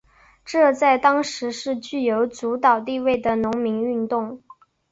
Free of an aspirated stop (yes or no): yes